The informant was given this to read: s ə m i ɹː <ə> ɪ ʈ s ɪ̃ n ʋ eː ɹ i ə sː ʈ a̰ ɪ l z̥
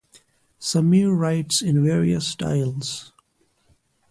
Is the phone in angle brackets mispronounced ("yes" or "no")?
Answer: yes